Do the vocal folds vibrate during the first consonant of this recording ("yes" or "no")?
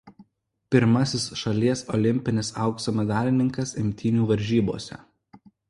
no